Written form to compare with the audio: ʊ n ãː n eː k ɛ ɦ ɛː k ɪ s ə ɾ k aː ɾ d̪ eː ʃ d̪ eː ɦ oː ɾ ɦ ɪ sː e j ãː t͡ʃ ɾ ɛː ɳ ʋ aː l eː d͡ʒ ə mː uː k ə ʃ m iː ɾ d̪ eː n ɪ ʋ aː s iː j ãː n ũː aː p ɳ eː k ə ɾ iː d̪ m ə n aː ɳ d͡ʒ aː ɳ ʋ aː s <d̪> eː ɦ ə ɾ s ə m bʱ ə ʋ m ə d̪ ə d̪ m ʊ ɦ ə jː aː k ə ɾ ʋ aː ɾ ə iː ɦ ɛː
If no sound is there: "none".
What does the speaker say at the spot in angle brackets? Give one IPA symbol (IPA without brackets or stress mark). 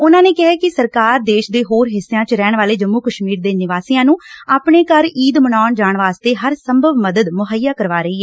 t̪